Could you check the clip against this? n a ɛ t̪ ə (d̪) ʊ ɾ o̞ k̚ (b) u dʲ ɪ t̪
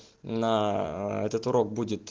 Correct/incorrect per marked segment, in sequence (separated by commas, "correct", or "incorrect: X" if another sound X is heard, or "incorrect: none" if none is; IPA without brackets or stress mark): incorrect: t̪, correct